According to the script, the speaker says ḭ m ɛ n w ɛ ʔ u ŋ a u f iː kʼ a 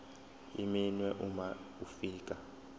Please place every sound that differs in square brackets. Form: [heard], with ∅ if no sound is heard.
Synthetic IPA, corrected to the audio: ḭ m [i] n w ɛ ʔ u [m] a u f iː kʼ a